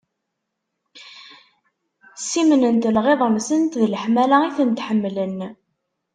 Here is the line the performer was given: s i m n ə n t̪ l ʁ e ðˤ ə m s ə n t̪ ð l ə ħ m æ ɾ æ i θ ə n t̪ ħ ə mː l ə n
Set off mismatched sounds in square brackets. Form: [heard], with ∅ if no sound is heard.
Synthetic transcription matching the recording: s i m n ə n t̪ l ʁ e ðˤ ə m s ə n t̪ ð l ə ħ m æ [l] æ i θ ə n t̪ ħ ə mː l ə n